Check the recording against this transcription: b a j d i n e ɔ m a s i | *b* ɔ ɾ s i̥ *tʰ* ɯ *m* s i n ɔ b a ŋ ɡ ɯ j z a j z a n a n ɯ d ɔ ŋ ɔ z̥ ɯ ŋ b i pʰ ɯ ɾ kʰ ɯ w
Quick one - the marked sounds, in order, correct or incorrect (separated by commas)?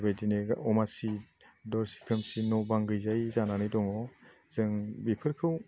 incorrect, incorrect, correct